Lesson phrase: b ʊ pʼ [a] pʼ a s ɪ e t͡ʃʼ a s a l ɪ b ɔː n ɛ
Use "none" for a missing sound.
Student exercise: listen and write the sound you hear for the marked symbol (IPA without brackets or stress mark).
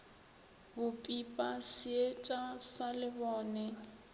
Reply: i